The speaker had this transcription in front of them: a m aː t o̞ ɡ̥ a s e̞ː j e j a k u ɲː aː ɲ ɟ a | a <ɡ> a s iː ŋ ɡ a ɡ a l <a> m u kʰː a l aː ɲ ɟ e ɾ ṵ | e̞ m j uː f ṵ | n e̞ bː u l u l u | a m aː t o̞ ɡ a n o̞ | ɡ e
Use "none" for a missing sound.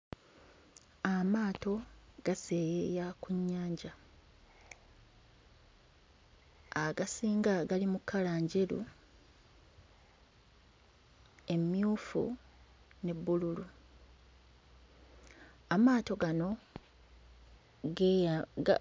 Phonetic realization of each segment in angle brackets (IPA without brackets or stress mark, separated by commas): ɡ, i